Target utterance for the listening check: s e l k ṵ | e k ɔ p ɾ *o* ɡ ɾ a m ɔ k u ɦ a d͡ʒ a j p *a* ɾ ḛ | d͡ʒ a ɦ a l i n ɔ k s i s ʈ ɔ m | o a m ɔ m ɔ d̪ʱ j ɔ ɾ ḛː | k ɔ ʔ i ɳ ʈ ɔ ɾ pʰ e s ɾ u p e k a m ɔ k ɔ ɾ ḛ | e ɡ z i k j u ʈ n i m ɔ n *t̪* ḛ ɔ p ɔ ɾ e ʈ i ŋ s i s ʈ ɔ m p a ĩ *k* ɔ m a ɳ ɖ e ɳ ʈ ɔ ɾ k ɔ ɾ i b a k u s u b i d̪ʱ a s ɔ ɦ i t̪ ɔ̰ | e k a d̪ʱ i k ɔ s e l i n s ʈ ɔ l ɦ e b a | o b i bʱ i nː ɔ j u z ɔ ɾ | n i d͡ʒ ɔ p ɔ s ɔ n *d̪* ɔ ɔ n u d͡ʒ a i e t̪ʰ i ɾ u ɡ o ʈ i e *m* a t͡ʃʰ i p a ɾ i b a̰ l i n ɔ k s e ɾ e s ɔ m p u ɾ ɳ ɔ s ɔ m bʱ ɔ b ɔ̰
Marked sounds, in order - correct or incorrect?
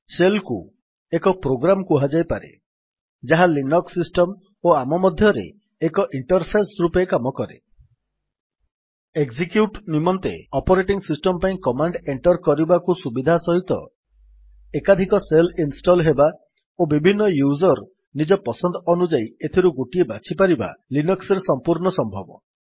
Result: correct, correct, correct, correct, correct, incorrect: b

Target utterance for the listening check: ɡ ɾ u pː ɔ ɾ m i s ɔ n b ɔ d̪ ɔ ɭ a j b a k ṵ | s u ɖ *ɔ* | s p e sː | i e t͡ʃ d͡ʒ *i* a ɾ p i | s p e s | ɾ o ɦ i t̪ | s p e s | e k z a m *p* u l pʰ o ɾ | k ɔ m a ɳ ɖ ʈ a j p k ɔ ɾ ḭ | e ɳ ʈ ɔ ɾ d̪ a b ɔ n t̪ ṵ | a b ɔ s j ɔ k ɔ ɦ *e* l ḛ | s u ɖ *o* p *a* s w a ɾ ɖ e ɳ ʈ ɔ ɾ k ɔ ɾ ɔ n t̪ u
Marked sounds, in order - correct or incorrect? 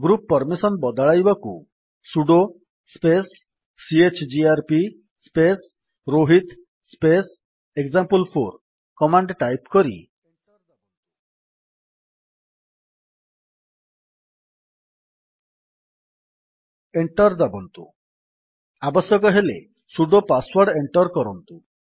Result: incorrect: o, correct, correct, correct, correct, correct

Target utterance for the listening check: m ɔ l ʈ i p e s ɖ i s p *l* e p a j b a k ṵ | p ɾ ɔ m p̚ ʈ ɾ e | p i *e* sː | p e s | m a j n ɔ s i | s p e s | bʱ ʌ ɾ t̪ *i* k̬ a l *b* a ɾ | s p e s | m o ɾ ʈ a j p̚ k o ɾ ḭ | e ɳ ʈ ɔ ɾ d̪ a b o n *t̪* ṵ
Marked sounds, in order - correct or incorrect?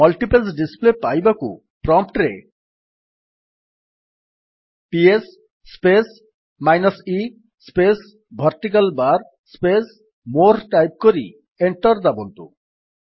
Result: correct, correct, correct, correct, correct

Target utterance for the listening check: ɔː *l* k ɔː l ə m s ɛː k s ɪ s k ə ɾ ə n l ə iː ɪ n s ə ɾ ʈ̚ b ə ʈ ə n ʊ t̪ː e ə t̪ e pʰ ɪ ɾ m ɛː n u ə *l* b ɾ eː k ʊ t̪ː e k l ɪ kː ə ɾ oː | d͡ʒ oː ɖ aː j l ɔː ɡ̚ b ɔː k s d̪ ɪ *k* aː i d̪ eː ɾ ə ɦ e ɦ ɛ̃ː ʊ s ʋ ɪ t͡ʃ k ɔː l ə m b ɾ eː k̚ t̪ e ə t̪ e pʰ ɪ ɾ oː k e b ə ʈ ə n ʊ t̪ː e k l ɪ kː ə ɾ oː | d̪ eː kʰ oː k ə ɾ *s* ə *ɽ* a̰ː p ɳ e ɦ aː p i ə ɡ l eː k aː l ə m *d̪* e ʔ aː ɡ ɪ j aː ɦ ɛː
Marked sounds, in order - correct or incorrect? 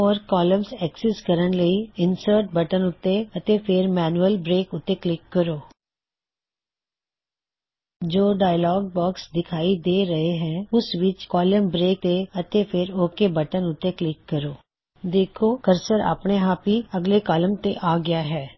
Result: incorrect: ɾ, correct, incorrect: kʰ, correct, incorrect: ɾ, incorrect: t̪

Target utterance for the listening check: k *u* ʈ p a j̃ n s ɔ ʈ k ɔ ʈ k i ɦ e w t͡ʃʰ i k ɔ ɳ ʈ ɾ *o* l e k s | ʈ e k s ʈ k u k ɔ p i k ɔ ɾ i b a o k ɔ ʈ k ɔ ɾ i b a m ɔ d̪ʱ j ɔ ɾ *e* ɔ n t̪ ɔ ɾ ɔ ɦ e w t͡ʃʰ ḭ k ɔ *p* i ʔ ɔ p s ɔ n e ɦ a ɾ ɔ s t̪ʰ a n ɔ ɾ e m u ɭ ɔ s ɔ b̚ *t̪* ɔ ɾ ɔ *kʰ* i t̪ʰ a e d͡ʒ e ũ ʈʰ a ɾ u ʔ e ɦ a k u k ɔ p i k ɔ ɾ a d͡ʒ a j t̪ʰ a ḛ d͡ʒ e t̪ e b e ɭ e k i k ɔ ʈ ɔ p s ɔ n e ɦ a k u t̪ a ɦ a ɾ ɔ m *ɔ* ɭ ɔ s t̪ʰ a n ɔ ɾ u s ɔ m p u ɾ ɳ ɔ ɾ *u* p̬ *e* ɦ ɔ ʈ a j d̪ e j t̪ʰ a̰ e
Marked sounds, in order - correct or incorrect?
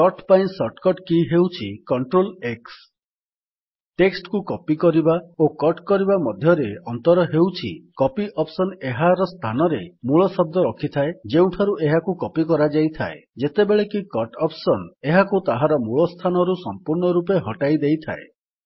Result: incorrect: ɔ, correct, correct, correct, incorrect: d̪, correct, incorrect: u, correct, correct

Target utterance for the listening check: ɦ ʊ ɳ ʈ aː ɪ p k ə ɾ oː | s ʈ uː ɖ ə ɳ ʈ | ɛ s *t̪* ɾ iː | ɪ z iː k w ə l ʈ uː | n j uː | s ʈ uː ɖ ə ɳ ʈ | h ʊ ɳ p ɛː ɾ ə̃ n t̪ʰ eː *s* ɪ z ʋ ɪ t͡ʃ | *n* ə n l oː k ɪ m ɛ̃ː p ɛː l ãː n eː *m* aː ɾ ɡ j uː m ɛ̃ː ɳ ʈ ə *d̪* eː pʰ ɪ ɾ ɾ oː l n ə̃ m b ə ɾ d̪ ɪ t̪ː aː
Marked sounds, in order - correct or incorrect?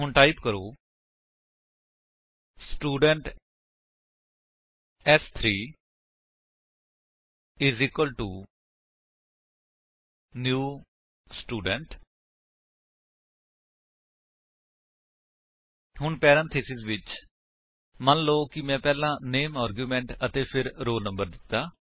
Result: incorrect: t̪ʰ, correct, incorrect: m, correct, incorrect: t̪

